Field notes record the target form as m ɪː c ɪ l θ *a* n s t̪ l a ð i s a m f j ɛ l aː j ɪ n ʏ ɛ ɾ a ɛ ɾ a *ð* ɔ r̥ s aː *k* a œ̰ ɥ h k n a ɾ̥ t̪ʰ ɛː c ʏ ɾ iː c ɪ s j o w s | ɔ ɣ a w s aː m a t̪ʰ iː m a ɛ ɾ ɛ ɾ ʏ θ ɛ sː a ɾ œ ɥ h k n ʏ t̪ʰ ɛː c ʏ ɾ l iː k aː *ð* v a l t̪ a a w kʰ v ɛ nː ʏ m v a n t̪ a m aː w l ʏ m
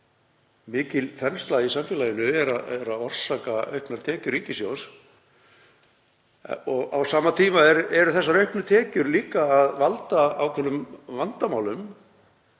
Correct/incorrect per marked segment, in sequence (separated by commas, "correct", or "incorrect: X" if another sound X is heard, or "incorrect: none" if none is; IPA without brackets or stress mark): incorrect: ɛ, correct, correct, correct